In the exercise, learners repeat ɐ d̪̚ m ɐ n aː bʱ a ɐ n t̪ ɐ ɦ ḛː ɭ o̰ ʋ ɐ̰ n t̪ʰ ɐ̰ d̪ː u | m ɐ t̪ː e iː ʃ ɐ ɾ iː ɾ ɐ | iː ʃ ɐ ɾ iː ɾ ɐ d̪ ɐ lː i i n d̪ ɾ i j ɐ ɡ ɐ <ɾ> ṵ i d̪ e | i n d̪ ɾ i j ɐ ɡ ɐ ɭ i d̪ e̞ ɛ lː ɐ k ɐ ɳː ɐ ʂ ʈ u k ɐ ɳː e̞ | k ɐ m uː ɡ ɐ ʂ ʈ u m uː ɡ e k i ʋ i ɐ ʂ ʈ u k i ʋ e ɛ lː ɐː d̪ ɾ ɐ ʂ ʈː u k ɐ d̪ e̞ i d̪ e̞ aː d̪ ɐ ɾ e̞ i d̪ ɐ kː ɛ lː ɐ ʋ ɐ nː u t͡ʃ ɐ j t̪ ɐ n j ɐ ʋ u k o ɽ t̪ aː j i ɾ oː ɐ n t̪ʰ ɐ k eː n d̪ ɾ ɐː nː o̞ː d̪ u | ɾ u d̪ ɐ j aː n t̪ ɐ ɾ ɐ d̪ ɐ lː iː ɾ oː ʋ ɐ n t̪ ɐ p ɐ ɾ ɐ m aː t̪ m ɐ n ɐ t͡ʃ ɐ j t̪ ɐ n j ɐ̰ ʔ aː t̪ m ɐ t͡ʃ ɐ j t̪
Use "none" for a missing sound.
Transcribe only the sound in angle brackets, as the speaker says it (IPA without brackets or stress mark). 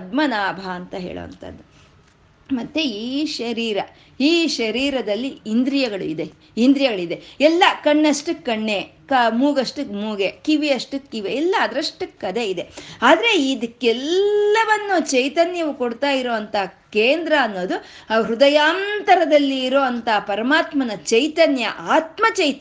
ɭ